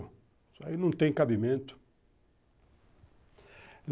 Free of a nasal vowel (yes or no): no